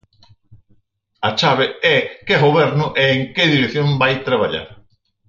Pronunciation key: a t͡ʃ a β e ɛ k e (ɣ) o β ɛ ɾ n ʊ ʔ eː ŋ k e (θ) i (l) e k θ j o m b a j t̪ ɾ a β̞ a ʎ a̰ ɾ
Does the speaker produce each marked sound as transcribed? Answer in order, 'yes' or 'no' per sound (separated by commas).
yes, no, no